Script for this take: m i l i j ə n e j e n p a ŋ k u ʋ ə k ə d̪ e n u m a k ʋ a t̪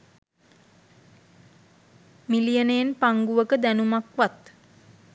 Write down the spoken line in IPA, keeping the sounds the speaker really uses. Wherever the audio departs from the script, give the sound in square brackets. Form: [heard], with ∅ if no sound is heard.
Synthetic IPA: m i l i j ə n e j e n p a ŋ [ɡ] u ʋ ə k ə d̪ [æ] n u m a k ʋ a t̪